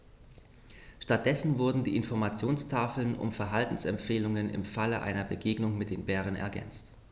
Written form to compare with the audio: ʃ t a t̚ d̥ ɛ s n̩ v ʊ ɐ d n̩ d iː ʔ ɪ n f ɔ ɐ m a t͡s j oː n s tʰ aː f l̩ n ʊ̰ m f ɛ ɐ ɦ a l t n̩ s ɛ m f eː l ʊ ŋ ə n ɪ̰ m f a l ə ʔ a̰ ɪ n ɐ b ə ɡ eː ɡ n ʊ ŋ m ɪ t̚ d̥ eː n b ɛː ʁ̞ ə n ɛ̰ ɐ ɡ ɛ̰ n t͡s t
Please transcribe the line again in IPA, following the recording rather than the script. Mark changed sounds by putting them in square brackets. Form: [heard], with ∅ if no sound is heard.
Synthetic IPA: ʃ t a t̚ d̥ ɛ s n̩ v ʊ ɐ d n̩ d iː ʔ ɪ n f ɔ ɐ m a t͡s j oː n s tʰ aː f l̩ n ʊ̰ m f ɛ ɐ ɦ a l t n̩ s ɛ m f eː l ʊ ŋ ə n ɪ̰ m f a l ə ʔ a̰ ɪ n ɐ b ə ɡ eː ɡ n ʊ ŋ m ɪ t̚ d̥ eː n b ɛː ʁ̞ ə n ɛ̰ ɐ ɡ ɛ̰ n t͡s t